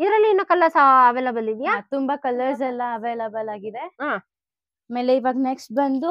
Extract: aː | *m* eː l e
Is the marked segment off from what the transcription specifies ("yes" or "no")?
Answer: no